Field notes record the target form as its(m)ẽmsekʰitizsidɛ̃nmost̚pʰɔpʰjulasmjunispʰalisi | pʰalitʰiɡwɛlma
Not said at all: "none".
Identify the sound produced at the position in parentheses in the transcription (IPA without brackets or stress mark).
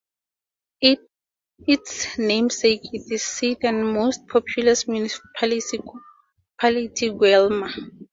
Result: n